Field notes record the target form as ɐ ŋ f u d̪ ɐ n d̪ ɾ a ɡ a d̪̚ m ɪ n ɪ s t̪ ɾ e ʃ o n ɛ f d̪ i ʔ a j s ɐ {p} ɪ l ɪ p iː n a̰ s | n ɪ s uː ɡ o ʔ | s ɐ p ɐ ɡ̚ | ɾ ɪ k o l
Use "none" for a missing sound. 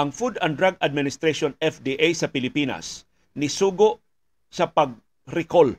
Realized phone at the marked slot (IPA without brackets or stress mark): p